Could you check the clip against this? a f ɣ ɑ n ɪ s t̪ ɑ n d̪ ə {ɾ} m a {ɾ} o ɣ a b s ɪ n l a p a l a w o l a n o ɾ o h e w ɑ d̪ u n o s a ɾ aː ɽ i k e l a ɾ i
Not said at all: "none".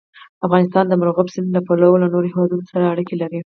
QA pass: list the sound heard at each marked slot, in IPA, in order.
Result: none, ɾ

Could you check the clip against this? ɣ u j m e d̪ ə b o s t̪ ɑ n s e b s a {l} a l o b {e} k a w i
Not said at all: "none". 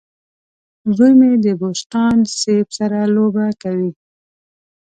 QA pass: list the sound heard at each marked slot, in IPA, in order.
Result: ɾ, a

